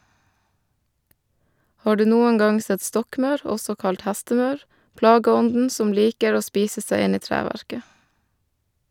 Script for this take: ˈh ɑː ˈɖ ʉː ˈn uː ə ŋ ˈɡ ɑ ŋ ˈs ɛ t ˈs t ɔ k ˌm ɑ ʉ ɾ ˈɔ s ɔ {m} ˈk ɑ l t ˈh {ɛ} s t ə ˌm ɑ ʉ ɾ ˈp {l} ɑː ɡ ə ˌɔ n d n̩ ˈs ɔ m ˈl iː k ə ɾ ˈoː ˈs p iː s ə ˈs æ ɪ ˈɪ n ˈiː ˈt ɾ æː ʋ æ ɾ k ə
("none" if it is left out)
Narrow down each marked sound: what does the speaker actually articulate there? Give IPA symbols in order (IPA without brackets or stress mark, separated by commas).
none, æ, l